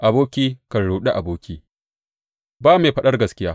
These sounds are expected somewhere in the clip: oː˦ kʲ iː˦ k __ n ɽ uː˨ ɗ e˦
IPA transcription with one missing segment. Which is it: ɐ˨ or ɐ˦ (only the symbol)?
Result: ɐ˨